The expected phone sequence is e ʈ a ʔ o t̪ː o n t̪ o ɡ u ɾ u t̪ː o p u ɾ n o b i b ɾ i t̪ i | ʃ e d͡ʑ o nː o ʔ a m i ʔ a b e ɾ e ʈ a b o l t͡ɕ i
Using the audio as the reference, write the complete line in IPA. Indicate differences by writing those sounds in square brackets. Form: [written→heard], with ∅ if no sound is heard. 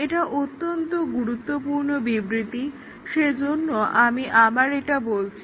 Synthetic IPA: e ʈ a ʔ o t̪ː o n t̪ o ɡ u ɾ u t̪ː o p u ɾ n o b i b ɾ i t̪ i | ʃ e d͡ʑ o nː o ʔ a m i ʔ a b [e→a] ɾ e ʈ a b o l [t͡ɕ→t͡ɕʰ] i